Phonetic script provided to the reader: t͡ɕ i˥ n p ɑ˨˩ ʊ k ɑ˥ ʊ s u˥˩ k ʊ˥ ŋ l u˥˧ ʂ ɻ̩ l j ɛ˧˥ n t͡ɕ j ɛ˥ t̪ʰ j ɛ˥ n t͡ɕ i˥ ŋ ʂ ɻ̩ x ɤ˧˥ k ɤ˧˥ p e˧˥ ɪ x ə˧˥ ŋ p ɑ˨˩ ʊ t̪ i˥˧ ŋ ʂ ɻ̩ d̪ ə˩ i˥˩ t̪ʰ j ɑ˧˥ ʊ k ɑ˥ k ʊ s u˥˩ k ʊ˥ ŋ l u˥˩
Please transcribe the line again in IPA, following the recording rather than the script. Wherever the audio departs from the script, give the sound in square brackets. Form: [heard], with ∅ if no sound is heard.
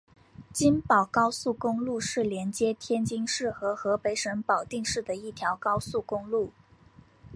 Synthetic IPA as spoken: t͡ɕ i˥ n p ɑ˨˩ ʊ k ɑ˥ ʊ s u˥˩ k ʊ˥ ŋ l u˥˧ ʂ ɻ̩ l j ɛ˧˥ n t͡ɕ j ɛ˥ t̪ʰ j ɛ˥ n t͡ɕ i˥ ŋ ʂ ɻ̩ x ɤ˧˥ [x] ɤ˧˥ p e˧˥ ɪ [ʂ] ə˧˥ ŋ p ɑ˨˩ ʊ t̪ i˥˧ ŋ ʂ ɻ̩ d̪ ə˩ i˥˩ t̪ʰ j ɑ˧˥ ʊ k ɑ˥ [∅] ʊ s u˥˩ k ʊ˥ ŋ l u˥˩